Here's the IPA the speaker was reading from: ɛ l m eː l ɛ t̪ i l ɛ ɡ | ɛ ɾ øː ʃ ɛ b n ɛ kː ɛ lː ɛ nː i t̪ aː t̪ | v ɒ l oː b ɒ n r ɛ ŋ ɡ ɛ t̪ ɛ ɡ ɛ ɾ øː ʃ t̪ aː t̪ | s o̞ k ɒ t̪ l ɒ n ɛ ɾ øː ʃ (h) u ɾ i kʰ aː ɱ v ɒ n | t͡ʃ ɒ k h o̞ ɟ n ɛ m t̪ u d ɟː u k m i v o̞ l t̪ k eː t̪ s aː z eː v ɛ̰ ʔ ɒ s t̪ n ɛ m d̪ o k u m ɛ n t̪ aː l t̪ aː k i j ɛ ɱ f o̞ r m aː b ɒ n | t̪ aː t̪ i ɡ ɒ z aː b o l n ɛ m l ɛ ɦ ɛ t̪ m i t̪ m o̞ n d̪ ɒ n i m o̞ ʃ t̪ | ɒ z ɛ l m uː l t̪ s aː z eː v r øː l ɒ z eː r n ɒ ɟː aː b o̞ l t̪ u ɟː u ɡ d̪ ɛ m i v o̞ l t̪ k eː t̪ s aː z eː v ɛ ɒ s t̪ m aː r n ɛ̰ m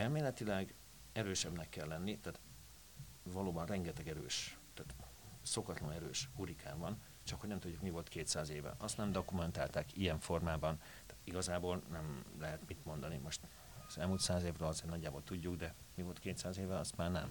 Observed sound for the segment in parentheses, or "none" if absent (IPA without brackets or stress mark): h